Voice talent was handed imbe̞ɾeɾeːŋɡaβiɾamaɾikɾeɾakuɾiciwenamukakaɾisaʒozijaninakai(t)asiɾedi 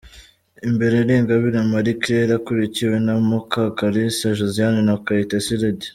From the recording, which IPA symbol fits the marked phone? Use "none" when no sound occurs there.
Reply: t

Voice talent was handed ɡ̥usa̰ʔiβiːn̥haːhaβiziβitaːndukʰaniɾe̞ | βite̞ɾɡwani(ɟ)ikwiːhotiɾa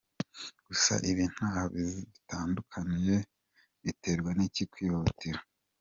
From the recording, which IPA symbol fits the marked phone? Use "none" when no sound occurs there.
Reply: c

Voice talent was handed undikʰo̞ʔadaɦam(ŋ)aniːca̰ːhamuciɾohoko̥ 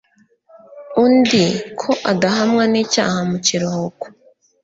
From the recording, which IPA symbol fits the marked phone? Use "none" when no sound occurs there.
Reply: ŋ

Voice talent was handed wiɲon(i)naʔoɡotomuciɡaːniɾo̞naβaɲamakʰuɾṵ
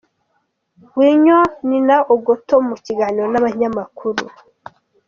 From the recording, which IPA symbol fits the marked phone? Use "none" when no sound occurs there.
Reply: i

